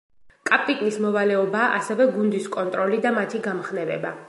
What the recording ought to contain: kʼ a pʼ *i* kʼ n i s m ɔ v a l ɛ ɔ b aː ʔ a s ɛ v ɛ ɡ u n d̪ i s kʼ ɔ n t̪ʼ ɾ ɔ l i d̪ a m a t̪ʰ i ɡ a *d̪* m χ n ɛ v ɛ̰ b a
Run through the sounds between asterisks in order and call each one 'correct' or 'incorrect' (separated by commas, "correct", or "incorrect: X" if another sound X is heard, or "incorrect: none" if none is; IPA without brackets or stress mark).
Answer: correct, incorrect: none